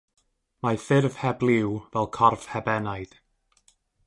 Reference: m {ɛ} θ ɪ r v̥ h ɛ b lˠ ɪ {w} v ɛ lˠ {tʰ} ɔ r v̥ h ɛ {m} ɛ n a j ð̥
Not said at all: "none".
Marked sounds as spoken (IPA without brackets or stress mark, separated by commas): a, w, kʰ, b